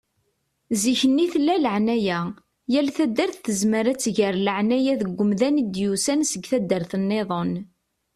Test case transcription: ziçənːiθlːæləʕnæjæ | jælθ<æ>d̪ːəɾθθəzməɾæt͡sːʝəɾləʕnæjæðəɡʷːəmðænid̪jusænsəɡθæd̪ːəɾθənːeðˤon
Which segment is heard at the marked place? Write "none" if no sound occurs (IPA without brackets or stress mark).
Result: æ